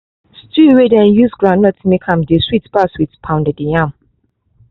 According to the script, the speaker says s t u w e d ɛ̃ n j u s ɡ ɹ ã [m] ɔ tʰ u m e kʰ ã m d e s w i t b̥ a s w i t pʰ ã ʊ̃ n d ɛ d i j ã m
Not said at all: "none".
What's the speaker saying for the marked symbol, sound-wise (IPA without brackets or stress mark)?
n